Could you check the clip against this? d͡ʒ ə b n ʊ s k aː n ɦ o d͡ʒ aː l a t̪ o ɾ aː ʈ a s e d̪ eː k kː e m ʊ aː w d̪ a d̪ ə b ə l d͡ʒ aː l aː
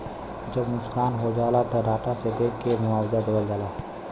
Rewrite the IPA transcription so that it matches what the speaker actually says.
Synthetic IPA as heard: d͡ʒ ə b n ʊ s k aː n ɦ o d͡ʒ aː l a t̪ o ɾ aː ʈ a s e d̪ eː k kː e m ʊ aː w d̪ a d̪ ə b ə l d͡ʒ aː l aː